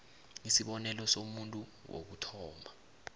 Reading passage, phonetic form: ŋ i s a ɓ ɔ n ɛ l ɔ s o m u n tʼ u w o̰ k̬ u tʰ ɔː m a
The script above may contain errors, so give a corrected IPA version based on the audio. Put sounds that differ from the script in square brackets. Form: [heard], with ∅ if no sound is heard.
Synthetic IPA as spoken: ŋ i s [i] ɓ ɔ n ɛ l ɔ s o m u n tʼ u w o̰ k̬ u tʰ ɔː m a